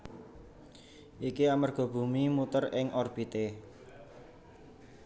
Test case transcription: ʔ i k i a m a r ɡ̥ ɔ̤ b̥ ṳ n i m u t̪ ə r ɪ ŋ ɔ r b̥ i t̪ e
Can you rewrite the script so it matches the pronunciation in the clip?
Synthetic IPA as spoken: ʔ i k i a m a r ɡ̥ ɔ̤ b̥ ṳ m i m u t̪ ə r ɪ ŋ ɔ r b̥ i t̪ e